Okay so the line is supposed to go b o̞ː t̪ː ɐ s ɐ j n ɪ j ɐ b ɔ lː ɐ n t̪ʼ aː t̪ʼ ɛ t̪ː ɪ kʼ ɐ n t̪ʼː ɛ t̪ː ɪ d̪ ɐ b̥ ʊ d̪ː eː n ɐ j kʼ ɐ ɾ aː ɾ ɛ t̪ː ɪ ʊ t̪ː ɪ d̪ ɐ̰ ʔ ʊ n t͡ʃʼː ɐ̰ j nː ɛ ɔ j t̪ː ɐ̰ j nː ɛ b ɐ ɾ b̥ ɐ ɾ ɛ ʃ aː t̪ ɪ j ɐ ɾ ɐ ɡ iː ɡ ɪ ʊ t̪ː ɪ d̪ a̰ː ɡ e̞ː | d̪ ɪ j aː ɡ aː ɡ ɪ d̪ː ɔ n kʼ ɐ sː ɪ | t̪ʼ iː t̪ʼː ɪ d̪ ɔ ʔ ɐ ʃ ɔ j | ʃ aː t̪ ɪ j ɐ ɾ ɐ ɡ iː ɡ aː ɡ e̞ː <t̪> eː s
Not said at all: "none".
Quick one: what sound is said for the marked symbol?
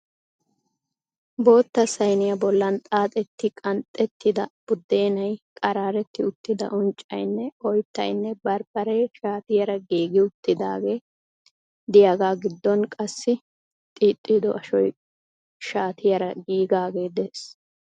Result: d̪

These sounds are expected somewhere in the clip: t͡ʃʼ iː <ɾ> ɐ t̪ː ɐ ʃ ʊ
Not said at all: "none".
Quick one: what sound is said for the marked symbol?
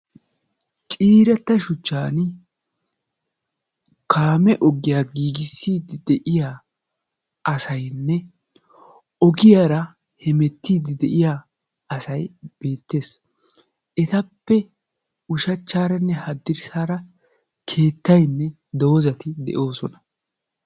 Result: ɾ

